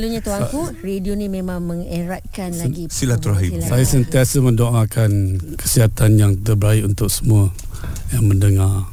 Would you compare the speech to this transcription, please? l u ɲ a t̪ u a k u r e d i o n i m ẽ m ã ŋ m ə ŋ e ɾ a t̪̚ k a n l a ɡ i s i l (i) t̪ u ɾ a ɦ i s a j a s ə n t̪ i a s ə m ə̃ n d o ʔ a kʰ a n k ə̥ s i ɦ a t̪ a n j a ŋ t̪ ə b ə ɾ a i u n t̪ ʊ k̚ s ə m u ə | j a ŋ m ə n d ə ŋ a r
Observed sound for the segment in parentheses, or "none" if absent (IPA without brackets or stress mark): a